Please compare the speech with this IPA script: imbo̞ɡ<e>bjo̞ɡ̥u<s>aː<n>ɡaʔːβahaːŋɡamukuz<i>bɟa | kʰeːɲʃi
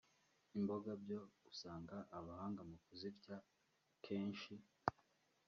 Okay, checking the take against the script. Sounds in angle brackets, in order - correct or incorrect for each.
incorrect: a, correct, incorrect: ŋ, correct

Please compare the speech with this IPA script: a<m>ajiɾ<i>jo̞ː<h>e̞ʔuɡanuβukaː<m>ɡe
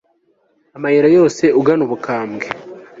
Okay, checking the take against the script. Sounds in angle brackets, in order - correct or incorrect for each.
correct, incorrect: a, incorrect: s, correct

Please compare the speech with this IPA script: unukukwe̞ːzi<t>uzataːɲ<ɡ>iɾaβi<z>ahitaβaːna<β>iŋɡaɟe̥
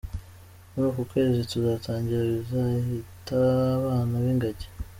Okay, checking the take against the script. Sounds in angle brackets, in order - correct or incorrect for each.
correct, incorrect: ɟ, correct, correct

